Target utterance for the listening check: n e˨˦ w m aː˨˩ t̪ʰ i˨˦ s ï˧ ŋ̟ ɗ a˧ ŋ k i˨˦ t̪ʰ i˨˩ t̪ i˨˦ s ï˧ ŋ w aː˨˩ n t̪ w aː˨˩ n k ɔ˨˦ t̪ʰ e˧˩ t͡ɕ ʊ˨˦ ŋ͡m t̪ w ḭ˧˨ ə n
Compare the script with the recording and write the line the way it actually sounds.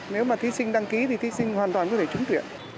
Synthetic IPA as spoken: n e˨˦ w m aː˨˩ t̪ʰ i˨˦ s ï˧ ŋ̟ ɗ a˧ ŋ k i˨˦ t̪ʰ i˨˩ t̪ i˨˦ s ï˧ ŋ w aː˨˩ n t̪ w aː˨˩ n k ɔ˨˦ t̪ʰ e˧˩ t͡ɕ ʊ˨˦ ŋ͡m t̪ w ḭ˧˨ ə n

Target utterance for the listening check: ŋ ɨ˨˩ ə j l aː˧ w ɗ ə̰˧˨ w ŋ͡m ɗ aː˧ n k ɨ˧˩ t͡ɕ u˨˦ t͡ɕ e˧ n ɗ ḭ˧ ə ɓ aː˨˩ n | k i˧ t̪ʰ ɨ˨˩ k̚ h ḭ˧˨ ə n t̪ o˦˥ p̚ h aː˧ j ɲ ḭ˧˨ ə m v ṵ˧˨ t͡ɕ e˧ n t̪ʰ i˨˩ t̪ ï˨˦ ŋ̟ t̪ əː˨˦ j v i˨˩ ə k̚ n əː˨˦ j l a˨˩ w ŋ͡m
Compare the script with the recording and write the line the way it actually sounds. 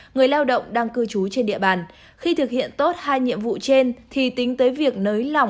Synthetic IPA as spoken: ŋ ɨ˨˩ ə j l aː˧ w ɗ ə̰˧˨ w ŋ͡m ɗ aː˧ ŋ k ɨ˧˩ t͡ɕ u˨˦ t͡ɕ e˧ n ɗ ḭ˧ ə ɓ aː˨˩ n | x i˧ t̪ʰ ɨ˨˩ k̚ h ḭ˧˨ ə n t̪ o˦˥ t̚ h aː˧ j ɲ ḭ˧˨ ə m v ṵ˧˨ t͡ɕ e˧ n t̪ʰ i˨˩ t̪ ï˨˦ ŋ̟ t̪ əː˨˦ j v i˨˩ ə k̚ n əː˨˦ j l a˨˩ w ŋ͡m

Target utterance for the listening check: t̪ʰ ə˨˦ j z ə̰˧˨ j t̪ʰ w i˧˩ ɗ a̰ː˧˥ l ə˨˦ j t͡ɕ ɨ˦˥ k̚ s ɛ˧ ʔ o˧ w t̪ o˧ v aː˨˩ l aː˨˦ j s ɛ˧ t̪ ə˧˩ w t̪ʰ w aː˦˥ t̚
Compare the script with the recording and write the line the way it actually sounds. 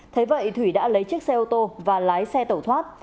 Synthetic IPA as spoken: t̪ʰ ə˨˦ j v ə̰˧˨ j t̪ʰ w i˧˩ ɗ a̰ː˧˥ l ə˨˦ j t͡ɕ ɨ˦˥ k̚ s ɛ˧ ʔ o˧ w t̪ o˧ v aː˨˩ l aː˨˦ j s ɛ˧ t̪ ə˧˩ w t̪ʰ w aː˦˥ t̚

